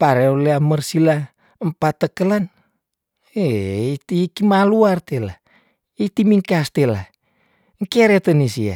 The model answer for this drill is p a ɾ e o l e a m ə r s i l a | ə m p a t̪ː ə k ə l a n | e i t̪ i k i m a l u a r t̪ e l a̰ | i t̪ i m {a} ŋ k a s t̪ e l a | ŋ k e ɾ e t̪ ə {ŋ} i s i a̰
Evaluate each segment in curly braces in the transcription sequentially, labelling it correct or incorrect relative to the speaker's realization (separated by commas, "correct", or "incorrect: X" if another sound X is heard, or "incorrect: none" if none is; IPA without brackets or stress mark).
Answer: incorrect: i, incorrect: n